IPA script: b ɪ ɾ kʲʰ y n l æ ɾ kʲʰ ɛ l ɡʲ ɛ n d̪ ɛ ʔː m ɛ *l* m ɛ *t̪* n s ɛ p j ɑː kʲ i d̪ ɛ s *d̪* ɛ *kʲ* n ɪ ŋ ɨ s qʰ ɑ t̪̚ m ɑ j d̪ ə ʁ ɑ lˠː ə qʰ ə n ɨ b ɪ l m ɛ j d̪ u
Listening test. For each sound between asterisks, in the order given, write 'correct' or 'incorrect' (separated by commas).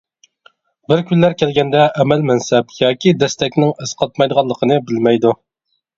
correct, incorrect, incorrect, correct